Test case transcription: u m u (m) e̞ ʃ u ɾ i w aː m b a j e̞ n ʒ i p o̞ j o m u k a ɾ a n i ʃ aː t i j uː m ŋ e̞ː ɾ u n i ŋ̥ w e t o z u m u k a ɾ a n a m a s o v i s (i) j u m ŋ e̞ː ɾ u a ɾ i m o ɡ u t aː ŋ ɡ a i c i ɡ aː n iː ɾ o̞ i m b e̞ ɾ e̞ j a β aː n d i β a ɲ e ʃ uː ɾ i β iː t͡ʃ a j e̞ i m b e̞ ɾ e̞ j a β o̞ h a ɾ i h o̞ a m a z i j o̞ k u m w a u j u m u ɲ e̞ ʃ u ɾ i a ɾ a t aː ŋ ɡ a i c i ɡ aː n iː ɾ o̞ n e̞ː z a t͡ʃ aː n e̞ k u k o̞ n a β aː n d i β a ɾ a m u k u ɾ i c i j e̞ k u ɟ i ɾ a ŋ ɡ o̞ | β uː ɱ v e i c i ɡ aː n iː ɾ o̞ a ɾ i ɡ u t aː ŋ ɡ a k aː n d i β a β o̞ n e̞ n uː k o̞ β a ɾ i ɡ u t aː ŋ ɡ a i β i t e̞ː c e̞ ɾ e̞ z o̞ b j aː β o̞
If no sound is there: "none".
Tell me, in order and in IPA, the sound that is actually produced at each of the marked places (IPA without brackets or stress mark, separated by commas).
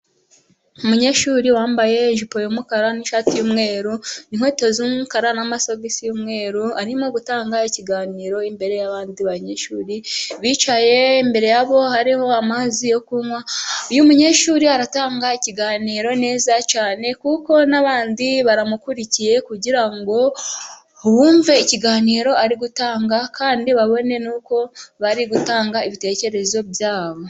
ɲ, i